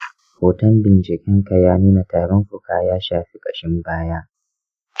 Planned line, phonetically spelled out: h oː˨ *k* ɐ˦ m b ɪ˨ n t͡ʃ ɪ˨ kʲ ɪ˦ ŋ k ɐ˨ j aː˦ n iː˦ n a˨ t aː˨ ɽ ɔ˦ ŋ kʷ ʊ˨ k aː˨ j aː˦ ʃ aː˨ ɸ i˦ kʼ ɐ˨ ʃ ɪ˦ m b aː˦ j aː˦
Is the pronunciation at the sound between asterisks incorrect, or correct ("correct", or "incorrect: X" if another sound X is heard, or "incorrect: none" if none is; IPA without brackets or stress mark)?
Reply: incorrect: t